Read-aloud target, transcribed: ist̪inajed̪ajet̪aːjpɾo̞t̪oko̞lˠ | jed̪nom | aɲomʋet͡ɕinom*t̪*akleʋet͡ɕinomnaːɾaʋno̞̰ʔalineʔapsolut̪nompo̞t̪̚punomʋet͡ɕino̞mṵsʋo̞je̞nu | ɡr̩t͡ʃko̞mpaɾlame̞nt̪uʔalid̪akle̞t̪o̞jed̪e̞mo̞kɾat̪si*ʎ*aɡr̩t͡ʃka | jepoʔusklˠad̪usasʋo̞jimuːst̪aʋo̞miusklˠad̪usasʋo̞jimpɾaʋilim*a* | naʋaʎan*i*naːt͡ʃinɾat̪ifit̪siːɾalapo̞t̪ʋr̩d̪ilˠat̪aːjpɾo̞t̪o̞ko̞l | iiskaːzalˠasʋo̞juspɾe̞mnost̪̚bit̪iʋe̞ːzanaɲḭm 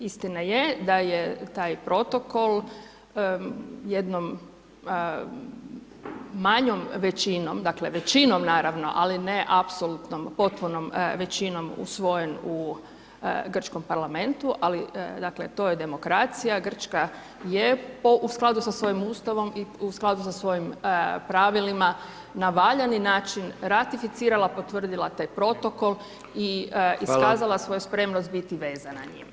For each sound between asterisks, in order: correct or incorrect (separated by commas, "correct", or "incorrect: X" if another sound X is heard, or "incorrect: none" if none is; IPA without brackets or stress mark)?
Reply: incorrect: d̪, incorrect: j, correct, correct